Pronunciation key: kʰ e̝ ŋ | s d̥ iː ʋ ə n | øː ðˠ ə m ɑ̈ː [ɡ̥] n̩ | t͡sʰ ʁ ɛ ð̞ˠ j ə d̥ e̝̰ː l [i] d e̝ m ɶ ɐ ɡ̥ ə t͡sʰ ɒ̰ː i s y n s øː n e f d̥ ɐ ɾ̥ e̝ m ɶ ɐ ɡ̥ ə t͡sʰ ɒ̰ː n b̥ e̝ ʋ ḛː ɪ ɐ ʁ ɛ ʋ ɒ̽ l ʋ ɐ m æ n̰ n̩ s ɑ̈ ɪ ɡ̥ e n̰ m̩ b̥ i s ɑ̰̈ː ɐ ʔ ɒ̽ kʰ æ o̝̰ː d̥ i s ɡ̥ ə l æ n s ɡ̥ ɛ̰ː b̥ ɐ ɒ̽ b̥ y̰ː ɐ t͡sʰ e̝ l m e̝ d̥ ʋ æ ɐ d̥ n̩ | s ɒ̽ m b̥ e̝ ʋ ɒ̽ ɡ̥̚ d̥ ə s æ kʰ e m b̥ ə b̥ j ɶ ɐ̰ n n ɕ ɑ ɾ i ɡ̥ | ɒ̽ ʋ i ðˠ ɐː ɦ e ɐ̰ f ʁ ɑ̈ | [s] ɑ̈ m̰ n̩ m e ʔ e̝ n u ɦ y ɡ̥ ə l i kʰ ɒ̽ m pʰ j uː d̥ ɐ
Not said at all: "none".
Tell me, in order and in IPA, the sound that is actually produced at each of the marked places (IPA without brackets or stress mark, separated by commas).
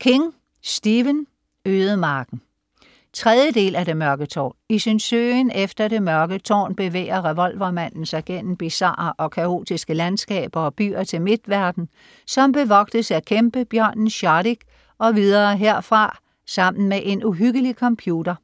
ɡ̥, æ, s